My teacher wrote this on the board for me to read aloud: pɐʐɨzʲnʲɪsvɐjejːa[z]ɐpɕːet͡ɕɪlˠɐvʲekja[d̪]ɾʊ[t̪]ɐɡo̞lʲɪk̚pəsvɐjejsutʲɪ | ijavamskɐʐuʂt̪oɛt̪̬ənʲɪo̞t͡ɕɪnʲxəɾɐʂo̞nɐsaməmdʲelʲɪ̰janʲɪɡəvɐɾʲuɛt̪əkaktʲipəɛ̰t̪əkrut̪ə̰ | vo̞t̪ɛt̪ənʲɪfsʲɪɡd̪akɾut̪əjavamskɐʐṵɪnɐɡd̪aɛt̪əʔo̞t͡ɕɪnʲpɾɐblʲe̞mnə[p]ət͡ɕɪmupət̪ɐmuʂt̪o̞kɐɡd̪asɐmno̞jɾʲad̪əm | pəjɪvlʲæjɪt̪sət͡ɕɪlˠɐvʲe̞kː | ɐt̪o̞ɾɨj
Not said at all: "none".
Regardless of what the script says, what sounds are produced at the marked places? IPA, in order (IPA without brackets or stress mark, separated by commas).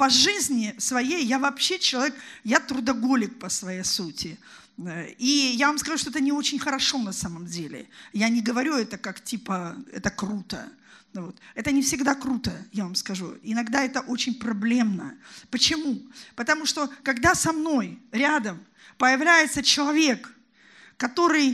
v, t̪, d̪, p